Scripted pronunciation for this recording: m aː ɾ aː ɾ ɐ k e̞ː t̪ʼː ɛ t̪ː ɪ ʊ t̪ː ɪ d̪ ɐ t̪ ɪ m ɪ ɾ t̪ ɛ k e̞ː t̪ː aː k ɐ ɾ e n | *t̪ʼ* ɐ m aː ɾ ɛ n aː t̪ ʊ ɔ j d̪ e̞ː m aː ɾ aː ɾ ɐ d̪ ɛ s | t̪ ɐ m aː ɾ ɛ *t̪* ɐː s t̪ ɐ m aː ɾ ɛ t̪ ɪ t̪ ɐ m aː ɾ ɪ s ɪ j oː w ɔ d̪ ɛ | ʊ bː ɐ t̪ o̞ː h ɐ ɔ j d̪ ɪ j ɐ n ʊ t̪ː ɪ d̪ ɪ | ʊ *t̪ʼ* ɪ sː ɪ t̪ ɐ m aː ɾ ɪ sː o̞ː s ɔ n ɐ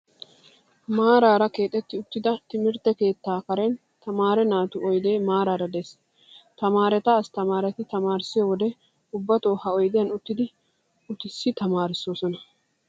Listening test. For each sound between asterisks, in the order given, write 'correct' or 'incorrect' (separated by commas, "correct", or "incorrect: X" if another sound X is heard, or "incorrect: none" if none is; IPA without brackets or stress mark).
incorrect: t̪, correct, incorrect: t̪